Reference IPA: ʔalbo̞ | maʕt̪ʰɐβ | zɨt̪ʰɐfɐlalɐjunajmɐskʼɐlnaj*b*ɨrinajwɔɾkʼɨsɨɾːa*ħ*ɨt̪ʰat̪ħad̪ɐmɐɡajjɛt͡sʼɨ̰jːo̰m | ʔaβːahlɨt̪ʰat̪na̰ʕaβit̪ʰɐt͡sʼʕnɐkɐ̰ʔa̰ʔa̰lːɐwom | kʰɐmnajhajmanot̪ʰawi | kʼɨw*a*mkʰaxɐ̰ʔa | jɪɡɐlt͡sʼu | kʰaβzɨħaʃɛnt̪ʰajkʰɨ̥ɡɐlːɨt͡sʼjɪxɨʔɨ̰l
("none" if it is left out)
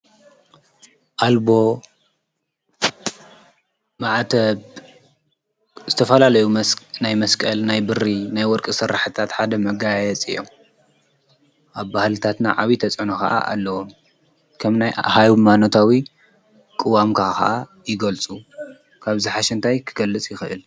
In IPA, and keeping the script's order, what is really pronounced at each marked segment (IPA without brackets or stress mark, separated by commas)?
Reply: b, ħ, a